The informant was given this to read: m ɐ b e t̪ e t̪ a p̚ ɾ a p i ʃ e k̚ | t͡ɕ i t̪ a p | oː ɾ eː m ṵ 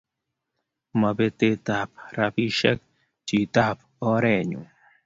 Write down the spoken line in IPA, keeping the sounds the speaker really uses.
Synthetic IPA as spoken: m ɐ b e t̪ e t̪ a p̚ ɾ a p i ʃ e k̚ | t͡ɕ i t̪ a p | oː ɾ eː ɲ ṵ